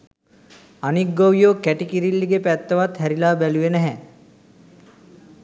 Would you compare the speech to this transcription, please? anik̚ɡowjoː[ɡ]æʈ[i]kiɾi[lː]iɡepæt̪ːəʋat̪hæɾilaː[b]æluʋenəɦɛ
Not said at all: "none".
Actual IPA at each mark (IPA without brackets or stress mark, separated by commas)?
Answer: k, i, lː, b